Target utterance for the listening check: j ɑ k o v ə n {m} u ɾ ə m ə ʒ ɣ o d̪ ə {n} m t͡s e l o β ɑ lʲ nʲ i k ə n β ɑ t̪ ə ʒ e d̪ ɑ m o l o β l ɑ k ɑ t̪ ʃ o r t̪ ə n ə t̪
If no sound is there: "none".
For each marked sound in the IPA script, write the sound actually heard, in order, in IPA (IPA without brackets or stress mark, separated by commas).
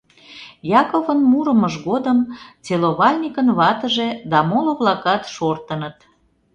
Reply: m, none